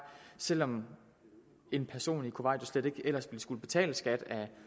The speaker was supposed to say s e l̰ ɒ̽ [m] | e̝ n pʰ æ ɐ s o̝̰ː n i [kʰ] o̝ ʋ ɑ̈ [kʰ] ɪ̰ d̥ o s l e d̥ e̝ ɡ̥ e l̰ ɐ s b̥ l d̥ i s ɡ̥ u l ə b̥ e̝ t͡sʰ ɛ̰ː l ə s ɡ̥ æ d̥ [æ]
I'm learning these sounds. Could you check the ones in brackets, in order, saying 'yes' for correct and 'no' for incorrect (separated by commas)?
yes, yes, no, yes